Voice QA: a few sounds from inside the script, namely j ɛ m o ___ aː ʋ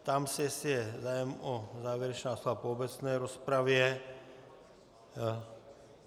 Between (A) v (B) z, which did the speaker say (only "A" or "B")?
B